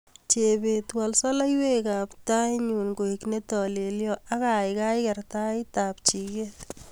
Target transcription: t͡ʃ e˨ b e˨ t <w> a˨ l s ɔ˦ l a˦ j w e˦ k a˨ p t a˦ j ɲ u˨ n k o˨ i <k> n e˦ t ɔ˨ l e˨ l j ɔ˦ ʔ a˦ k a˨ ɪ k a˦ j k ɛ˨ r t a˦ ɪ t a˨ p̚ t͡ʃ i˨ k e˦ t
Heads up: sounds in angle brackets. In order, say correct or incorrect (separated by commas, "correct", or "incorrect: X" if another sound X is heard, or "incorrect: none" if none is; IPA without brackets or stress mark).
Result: correct, correct